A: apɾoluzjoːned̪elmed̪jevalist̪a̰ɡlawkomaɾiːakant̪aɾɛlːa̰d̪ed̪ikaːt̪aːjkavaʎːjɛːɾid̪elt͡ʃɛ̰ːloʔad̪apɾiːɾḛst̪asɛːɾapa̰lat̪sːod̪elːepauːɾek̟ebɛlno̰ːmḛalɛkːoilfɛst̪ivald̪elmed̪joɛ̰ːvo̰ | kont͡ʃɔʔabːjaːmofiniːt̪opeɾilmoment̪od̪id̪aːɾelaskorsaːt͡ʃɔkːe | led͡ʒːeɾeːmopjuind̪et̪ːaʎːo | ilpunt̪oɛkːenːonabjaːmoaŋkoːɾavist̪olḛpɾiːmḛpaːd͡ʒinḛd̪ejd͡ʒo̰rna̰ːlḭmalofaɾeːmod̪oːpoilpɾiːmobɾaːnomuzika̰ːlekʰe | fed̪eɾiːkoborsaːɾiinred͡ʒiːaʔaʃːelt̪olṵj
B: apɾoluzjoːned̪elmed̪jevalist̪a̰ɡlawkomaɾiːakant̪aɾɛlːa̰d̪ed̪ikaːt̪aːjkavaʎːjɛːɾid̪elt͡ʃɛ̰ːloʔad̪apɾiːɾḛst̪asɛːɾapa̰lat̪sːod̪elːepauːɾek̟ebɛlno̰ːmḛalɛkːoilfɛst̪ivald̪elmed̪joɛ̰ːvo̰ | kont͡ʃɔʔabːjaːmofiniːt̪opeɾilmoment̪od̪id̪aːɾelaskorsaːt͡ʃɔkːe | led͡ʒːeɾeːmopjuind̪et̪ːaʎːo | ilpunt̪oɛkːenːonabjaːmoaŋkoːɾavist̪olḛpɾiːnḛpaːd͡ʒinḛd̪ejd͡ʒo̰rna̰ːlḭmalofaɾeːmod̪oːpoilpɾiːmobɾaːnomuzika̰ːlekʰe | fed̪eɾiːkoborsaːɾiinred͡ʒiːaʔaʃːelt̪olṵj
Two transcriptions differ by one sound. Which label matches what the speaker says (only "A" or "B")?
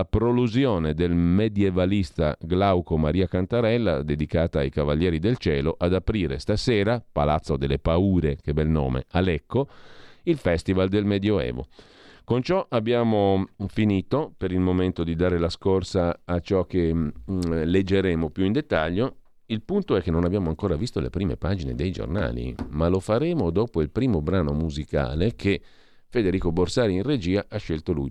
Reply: A